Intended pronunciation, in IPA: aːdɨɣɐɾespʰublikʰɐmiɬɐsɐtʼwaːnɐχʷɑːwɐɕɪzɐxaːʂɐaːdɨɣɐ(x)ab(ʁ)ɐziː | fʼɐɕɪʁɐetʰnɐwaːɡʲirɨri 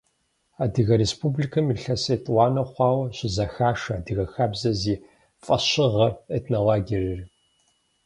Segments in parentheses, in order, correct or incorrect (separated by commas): correct, incorrect